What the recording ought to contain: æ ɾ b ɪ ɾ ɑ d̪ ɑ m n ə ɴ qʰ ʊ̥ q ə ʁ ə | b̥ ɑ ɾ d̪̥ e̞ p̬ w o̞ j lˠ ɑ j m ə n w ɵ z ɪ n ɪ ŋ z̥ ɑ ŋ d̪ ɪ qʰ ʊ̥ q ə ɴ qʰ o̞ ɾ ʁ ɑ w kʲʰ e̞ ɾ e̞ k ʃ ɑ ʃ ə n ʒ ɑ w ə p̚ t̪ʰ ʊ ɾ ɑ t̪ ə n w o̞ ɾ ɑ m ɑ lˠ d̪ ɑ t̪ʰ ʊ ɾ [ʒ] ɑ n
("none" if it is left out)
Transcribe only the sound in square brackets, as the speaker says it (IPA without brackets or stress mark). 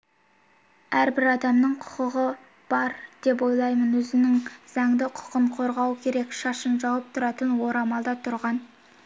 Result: ʁ